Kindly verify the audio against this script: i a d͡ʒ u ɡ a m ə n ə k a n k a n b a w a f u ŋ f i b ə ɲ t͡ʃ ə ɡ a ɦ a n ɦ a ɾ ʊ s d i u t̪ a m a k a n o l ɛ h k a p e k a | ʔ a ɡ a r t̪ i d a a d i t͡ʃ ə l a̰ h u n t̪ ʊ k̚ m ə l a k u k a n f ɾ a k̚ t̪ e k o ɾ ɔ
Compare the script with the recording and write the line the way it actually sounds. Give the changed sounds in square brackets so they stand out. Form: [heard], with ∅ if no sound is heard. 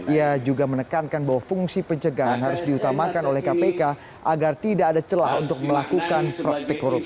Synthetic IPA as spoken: i a d͡ʒ u ɡ a m ə n ə k a n k a n b a w a f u ŋ [s] i [p] ə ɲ t͡ʃ ə ɡ a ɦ a n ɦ a ɾ ʊ s d i u t̪ a m a k a n o l ɛ h k a p e k a | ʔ a ɡ a r t̪ i d a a d [a] t͡ʃ ə l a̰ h u n t̪ ʊ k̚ m ə l a k u k a n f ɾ a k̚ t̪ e k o ɾ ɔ